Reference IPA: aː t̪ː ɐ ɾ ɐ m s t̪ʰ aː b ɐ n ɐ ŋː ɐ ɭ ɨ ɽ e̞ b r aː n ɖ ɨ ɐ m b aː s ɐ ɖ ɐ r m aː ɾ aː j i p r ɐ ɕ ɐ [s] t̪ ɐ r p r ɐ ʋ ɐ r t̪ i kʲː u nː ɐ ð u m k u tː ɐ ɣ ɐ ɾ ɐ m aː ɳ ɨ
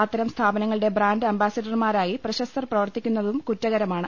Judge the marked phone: correct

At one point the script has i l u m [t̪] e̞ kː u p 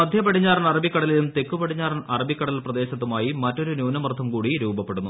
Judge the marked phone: correct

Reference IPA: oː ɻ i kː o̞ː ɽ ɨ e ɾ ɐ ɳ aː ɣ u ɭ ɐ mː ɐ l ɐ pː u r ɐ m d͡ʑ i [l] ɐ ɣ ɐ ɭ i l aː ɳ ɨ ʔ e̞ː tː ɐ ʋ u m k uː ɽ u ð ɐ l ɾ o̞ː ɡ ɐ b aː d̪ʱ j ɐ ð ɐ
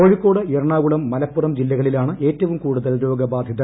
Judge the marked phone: incorrect: lː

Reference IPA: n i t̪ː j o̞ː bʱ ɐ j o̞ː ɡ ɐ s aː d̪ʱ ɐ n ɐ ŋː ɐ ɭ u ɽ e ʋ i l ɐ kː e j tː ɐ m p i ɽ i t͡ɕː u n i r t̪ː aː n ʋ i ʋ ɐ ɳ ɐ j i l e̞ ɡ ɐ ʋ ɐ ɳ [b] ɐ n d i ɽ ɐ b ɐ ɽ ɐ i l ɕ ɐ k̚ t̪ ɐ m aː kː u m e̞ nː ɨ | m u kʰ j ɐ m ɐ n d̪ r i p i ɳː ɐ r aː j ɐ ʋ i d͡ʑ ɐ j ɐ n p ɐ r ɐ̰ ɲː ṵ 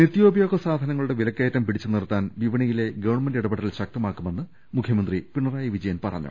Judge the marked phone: incorrect: m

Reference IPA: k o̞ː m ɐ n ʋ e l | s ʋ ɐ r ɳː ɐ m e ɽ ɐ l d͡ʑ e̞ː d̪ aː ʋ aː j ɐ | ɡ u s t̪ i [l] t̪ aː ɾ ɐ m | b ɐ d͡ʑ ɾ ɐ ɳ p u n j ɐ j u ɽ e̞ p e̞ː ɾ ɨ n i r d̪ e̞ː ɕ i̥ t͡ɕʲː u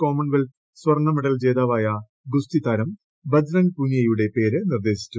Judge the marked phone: incorrect: none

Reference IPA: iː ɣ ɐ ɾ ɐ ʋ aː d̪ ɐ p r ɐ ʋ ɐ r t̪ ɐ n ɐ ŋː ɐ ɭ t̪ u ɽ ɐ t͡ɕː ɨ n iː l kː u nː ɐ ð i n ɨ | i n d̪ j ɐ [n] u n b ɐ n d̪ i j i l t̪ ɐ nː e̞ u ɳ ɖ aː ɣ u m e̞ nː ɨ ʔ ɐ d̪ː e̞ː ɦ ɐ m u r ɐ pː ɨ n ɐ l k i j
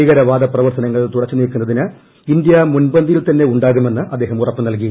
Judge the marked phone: incorrect: m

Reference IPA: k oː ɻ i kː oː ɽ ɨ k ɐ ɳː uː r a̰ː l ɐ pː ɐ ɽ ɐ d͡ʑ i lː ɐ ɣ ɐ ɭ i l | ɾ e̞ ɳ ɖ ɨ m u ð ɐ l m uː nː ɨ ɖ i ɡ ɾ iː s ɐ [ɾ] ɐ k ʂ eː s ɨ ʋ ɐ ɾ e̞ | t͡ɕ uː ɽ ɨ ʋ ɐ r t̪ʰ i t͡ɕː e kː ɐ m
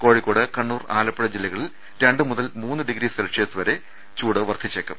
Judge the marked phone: incorrect: l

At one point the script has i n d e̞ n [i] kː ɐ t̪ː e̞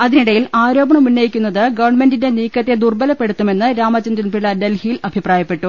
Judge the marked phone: incorrect: iː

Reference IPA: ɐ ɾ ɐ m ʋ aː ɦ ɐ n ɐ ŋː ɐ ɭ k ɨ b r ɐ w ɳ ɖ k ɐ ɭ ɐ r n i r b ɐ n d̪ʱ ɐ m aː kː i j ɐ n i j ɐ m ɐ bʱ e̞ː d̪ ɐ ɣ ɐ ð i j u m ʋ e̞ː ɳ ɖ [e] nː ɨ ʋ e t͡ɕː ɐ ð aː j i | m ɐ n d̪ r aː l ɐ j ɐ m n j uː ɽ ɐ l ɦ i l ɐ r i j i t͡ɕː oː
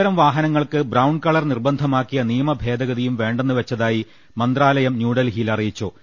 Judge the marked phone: correct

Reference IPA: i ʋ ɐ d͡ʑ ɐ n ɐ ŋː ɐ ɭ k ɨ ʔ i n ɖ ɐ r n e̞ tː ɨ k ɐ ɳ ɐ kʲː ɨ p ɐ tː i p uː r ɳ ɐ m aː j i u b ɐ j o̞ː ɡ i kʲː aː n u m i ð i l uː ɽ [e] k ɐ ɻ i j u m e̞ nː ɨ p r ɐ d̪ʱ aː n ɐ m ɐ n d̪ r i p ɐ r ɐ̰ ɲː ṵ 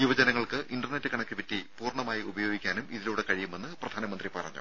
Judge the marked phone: correct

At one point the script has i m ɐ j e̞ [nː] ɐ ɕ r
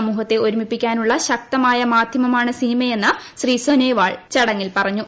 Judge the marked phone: correct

